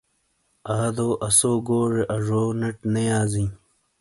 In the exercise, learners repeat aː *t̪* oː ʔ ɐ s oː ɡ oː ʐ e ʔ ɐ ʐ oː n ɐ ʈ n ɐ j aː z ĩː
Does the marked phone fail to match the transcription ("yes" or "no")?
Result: yes